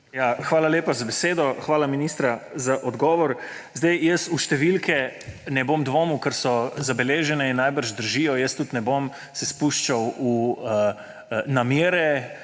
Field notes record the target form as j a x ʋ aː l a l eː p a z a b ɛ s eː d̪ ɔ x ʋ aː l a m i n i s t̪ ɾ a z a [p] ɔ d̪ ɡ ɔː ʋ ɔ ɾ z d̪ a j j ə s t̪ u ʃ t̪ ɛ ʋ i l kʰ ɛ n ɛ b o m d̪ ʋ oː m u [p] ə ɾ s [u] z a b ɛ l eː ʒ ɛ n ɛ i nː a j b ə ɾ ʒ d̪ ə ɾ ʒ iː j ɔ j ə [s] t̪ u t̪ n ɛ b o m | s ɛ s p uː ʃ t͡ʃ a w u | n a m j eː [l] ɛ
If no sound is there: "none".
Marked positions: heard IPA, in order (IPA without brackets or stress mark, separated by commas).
ʔ, k, ɔ, s, ɾ